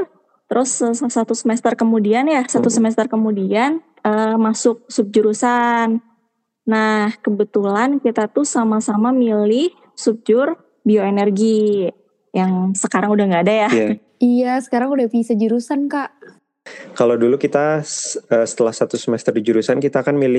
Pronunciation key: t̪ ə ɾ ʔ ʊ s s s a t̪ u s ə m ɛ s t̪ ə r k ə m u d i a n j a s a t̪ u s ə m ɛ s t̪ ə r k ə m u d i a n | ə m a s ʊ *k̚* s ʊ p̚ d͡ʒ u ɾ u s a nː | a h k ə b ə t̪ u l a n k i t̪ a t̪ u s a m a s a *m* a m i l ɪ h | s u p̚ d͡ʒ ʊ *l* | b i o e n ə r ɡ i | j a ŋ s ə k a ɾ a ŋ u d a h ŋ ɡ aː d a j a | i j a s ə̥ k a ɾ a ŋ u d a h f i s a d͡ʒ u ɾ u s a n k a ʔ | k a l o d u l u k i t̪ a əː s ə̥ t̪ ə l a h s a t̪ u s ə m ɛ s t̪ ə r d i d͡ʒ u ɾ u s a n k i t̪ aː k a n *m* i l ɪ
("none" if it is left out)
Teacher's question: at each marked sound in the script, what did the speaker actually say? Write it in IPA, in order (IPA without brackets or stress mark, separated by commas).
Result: k̚, m, r, m